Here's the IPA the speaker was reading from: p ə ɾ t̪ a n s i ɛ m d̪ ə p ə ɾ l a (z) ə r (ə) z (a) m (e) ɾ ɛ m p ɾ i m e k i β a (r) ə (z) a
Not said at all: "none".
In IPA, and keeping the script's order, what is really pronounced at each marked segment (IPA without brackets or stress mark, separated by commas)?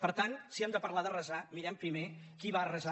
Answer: ð, ə, a, i, r, z